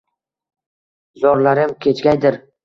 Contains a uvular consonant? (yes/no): no